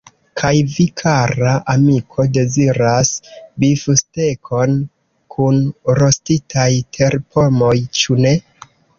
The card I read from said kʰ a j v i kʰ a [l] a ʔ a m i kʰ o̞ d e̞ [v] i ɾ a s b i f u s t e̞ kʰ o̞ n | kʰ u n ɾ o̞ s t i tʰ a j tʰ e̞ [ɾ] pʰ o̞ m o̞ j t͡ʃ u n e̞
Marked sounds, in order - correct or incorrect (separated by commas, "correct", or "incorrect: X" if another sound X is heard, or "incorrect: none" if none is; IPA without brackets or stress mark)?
incorrect: ɾ, incorrect: z, correct